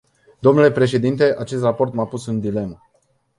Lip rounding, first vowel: rounded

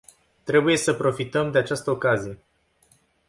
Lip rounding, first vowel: unrounded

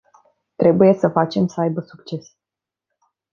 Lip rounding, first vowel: unrounded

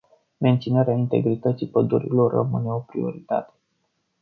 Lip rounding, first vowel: unrounded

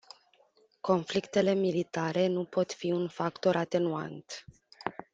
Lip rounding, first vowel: rounded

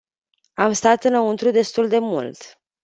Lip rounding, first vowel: unrounded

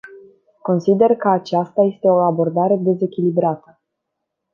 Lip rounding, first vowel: rounded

